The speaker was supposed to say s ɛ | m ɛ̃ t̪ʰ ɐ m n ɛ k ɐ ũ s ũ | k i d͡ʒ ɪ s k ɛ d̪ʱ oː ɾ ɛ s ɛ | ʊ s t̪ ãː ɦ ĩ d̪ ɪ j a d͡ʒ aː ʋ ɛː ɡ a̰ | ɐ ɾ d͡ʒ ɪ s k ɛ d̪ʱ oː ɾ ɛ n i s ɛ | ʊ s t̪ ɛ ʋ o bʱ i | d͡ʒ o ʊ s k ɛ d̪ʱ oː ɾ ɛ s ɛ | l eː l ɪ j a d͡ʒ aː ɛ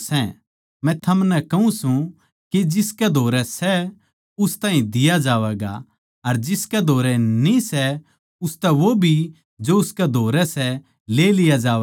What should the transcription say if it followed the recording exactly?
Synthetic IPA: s ɛ | m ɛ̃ t̪ʰ ɐ m n ɛ k ɐ ũ s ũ | k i d͡ʒ ɪ s k ɛ d̪ʱ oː ɾ ɛ s ɛ | ʊ s t̪ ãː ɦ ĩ d̪ ɪ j a d͡ʒ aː ʋ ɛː ɡ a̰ | ɐ ɾ d͡ʒ ɪ s k ɛ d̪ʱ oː ɾ ɛ n i s ɛ | ʊ s t̪ ɛ ʋ o bʱ i | d͡ʒ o ʊ s k ɛ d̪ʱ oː ɾ ɛ s ɛ | l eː l ɪ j a d͡ʒ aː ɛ